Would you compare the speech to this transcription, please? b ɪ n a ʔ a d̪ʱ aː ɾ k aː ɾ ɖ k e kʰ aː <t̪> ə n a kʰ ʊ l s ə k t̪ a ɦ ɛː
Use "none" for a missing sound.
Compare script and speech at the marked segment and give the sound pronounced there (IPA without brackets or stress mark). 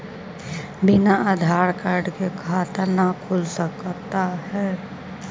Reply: t̪